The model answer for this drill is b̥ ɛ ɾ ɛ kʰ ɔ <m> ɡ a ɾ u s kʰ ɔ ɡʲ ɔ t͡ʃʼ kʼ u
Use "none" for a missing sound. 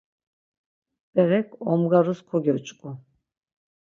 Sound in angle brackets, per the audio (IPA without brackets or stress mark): m